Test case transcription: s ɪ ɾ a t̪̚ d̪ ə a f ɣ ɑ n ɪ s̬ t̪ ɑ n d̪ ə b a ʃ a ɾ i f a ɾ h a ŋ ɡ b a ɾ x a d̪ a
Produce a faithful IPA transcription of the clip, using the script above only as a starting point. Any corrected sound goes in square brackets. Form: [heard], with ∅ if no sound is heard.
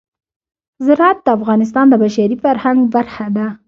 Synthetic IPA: [z] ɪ ɾ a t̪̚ d̪ ə a f ɣ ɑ n ɪ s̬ t̪ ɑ n d̪ ə b a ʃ a ɾ i f a ɾ h a ŋ ɡ b a ɾ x a d̪ a